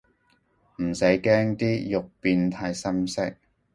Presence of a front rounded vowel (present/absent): absent